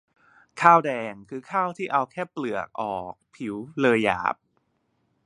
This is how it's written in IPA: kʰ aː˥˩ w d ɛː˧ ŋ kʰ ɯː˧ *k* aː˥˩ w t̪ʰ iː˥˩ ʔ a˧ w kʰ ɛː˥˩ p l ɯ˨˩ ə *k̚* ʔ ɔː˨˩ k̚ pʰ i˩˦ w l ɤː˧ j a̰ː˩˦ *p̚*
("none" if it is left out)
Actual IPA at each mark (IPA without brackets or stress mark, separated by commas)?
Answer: kʰ, k̚, p̚